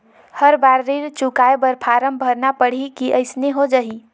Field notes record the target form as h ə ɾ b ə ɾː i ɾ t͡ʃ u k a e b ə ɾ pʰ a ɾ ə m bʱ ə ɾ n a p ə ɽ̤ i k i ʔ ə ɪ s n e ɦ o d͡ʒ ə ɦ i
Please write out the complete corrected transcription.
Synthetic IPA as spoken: h ə ɾ b a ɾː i ɾ t͡ʃ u k a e b ə ɾ pʰ a ɾ ə m bʱ ə ɾ n a p ə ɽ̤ i k i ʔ ə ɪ s n e ɦ o d͡ʒ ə ɦ i